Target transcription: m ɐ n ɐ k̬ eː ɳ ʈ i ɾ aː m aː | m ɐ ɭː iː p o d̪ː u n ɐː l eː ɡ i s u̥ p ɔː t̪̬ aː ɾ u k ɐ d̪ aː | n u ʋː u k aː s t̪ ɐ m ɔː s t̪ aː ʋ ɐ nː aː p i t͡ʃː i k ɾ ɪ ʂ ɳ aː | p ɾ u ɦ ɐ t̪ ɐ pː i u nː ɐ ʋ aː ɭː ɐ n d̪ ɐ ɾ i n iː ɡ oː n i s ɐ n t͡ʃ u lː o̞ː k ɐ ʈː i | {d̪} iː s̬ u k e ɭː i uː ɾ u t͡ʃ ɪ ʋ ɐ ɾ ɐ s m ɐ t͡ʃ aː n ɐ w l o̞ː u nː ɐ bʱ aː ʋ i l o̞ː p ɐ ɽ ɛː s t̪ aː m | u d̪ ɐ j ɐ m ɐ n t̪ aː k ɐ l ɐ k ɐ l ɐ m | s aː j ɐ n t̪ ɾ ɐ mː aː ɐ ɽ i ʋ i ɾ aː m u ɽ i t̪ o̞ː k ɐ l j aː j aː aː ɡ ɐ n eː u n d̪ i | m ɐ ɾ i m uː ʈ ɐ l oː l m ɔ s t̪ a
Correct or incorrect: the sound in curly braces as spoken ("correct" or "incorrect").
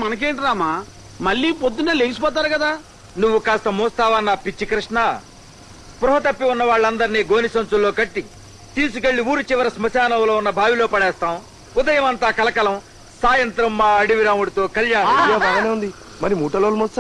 incorrect